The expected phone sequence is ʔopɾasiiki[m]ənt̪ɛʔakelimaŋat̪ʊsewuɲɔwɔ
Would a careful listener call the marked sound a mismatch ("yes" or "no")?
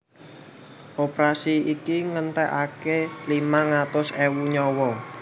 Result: yes